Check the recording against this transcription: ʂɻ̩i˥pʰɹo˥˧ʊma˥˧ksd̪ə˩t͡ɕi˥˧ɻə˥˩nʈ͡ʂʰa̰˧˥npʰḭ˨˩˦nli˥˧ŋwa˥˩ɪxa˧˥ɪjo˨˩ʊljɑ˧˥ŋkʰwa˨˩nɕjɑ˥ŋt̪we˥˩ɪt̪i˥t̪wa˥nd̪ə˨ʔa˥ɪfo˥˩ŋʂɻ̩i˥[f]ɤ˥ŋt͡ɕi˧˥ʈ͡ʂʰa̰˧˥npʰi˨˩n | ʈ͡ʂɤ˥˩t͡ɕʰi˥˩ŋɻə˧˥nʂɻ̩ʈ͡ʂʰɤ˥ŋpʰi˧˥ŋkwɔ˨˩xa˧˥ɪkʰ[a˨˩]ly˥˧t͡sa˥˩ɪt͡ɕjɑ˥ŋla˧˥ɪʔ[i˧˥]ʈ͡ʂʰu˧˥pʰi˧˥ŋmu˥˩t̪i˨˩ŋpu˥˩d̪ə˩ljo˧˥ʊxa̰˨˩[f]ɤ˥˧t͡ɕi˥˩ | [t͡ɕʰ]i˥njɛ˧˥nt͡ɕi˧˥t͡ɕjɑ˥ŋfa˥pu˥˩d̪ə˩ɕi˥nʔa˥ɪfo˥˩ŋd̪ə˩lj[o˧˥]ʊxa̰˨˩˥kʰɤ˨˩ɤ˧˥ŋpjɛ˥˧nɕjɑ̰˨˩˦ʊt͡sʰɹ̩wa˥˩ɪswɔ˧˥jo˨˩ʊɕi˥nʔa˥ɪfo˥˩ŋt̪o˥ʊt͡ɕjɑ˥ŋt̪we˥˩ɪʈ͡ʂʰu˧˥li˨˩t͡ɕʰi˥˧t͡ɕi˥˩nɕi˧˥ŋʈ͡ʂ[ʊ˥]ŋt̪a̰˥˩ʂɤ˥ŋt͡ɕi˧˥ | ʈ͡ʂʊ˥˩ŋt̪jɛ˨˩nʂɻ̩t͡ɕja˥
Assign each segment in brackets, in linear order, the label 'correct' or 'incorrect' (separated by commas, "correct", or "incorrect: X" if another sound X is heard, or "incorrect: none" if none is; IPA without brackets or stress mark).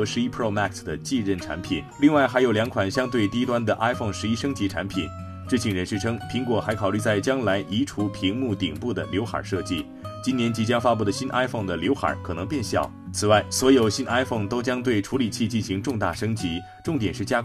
incorrect: ʂ, incorrect: ɑ˨˩, correct, incorrect: ʂ, incorrect: t͡ɕ, correct, incorrect: ʊ˥˧